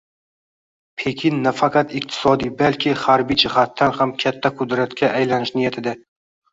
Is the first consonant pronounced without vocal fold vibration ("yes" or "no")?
yes